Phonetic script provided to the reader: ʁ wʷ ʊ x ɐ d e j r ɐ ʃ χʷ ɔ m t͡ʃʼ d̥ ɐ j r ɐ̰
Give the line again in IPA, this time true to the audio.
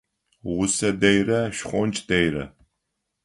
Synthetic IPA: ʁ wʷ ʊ s ɐ d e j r ɐ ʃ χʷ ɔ n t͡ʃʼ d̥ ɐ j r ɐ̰